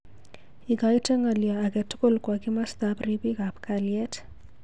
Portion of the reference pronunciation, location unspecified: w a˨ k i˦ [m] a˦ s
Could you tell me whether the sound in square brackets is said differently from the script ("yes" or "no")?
no